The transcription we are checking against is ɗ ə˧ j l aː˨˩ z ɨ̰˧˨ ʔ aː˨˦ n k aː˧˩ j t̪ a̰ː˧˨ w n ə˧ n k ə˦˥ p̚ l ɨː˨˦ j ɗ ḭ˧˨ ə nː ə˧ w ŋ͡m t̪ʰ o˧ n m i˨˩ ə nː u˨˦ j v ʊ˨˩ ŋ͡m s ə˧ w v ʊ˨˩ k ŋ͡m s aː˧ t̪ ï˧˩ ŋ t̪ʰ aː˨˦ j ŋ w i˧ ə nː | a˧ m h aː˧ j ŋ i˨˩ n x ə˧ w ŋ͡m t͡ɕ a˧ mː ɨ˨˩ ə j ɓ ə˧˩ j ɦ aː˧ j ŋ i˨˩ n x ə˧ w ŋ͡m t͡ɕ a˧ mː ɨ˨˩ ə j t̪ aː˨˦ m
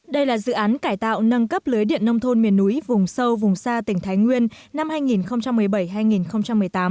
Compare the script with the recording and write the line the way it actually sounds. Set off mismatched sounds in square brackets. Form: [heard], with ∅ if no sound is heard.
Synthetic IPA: ɗ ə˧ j l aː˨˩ z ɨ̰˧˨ ʔ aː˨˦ n k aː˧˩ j t̪ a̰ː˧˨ w n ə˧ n k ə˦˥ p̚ l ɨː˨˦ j ɗ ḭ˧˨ ə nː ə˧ w ŋ͡m t̪ʰ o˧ n m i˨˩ ə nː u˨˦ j v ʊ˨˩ ŋ͡m s ə˧ w v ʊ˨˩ [∅] ŋ͡m s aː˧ t̪ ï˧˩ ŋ t̪ʰ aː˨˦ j ŋ w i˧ ə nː | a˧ m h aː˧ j ŋ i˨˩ n x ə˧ w ŋ͡m t͡ɕ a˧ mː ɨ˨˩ ə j ɓ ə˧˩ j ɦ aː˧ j ŋ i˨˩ n x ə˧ w ŋ͡m t͡ɕ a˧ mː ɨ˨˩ ə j t̪ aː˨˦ m